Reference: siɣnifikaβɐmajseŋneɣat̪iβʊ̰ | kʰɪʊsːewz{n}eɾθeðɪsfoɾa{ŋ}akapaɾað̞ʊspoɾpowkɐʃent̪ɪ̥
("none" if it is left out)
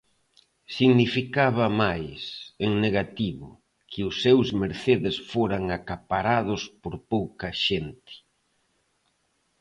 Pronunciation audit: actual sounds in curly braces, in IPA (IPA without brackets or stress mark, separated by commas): m, ŋ